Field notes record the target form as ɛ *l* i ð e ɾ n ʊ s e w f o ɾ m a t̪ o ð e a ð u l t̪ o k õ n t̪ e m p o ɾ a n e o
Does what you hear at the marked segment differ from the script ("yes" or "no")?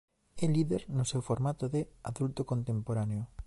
no